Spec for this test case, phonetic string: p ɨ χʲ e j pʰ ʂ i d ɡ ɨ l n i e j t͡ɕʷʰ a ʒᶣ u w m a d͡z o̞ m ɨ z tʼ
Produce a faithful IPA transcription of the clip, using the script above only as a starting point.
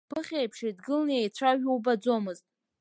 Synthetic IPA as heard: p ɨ χʲ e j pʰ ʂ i d ɡ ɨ l n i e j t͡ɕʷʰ a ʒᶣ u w b a d͡z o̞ m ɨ z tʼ